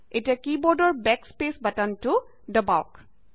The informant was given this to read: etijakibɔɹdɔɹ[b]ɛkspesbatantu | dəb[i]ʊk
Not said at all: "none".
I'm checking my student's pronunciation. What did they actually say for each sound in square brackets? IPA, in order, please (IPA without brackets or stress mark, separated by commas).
b, a